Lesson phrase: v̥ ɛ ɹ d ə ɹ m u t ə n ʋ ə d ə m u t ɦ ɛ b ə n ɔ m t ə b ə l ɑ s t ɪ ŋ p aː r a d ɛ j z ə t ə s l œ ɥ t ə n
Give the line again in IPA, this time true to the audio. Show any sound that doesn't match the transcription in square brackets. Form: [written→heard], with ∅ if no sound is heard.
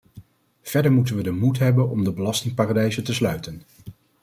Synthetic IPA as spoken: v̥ ɛ ɹ d ə ɹ m u t ə n ʋ ə d ə m u t ɦ ɛ b ə n ɔ m [t→d] ə b ə l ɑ s t ɪ ŋ p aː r a d ɛ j z ə t ə s l œ ɥ t ə n